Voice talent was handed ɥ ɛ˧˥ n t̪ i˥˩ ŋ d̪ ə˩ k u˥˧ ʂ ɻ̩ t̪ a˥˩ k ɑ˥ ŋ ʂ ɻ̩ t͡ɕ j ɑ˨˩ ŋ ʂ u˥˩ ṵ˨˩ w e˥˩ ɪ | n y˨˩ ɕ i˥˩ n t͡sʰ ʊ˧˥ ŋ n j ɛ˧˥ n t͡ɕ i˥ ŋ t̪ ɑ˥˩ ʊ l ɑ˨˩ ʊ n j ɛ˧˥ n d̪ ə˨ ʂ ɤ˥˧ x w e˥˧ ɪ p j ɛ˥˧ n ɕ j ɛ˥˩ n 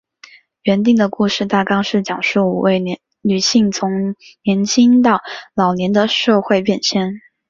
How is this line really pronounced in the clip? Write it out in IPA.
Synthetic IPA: ɥ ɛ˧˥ n t̪ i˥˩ ŋ d̪ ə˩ k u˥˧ ʂ ɻ̩ t̪ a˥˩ k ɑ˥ ŋ ʂ ɻ̩ t͡ɕ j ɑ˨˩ ŋ ʂ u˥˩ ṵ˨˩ w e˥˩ ɪ | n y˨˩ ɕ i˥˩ ŋ t͡sʰ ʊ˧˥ ŋ n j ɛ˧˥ n t͡ɕʰ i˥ ŋ t̪ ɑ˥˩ ʊ l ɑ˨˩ ʊ n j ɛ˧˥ n d̪ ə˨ ʂ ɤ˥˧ x w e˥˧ ɪ p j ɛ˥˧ n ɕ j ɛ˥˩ n